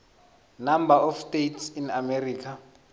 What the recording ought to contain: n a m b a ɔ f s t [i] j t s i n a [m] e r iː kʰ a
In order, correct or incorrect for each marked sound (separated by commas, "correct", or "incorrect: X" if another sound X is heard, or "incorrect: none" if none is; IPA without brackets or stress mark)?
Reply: incorrect: e, correct